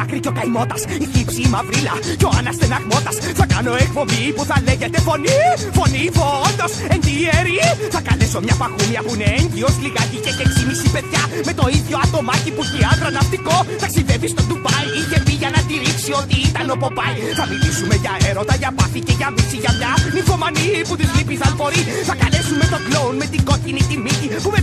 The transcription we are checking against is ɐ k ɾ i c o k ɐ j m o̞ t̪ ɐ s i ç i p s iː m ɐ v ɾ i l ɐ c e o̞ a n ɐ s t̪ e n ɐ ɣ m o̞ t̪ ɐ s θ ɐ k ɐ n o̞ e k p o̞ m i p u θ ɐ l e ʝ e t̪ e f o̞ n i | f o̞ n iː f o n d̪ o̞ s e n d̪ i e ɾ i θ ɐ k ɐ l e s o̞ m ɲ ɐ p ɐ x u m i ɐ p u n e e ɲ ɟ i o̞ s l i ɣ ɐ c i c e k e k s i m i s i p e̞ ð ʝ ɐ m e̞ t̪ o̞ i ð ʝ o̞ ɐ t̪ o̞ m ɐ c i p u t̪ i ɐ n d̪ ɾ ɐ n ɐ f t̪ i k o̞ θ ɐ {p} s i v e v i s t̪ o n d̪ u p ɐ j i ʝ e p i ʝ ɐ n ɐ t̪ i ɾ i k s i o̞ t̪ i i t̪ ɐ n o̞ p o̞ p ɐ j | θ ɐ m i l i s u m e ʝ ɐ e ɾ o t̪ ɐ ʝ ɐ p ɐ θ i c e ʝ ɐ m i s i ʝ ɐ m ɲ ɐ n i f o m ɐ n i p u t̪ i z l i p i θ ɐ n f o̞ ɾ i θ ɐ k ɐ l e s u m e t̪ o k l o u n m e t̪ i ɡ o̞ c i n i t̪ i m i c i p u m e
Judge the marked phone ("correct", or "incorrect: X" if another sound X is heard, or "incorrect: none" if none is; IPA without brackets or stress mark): incorrect: k